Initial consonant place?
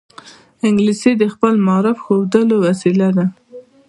velar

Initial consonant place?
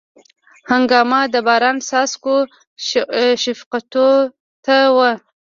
glottal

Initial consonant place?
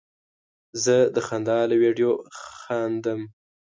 alveolar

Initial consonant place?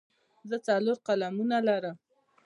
alveolar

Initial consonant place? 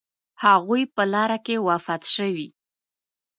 glottal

